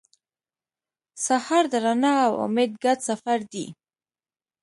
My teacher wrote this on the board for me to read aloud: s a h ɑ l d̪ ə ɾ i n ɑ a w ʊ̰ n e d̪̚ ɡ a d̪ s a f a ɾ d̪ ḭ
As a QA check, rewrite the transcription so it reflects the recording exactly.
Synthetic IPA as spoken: s a h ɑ ɾ d̪ ə ɾ a n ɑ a w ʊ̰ m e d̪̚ ɡ a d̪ s a f a ɾ d̪ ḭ